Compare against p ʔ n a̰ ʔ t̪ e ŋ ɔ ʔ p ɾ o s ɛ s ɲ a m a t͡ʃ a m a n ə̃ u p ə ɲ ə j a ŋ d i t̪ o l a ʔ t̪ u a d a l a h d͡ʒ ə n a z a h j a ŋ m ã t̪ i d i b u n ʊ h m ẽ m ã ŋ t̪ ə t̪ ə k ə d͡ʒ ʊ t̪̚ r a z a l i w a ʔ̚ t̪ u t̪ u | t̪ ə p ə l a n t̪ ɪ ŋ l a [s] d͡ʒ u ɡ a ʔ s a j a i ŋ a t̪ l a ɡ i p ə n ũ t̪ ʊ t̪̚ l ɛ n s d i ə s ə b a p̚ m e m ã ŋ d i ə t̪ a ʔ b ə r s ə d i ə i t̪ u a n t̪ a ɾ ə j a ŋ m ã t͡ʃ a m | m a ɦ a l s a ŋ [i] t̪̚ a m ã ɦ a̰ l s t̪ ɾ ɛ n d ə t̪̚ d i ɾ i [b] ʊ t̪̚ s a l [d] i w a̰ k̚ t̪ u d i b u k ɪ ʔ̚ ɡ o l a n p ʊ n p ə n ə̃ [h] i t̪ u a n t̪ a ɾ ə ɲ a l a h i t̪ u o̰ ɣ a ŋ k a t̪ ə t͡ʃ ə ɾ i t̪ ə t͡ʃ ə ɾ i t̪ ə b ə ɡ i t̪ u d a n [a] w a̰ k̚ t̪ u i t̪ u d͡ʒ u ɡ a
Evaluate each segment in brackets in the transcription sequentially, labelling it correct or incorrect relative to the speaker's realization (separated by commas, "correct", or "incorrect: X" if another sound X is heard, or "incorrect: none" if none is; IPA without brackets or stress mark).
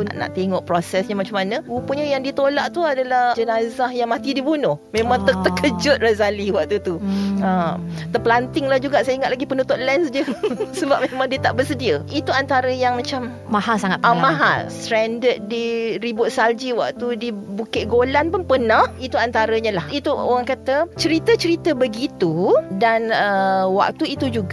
incorrect: h, incorrect: a, correct, incorrect: d͡ʒ, correct, incorrect: ə